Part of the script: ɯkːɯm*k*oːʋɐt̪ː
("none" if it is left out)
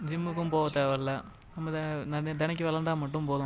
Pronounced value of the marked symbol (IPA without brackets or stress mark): p